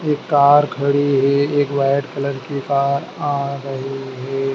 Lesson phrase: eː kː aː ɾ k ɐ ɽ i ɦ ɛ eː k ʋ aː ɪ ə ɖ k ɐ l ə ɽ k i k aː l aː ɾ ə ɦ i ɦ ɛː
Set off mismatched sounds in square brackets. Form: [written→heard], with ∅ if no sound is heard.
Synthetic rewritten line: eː kː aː ɾ [k→kʰ] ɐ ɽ i ɦ ɛ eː k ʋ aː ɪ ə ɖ k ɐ l ə [ɽ→ɾ] k i k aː [l→ɾ] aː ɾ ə ɦ i ɦ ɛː